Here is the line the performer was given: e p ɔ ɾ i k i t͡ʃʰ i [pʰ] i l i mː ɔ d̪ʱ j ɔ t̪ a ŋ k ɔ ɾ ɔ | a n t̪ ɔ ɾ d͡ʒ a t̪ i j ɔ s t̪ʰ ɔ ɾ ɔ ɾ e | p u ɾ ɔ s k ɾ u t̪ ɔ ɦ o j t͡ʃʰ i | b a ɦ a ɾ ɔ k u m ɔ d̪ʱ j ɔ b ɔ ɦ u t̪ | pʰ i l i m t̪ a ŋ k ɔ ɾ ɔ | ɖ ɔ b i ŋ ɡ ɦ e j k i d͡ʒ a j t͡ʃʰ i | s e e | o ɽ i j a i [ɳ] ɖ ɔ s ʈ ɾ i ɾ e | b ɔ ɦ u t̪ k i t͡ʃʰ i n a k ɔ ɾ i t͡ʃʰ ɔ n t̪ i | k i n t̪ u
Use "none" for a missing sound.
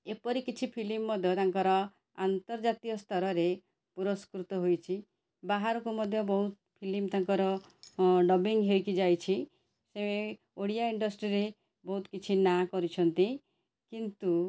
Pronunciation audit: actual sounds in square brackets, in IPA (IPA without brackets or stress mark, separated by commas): pʰ, ɳ